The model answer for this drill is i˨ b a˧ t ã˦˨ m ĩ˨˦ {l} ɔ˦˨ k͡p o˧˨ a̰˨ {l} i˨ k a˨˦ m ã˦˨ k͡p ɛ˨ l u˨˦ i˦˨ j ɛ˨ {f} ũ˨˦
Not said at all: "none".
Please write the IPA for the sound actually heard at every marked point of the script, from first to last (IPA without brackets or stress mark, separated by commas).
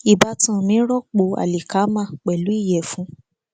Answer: ɾ, l, f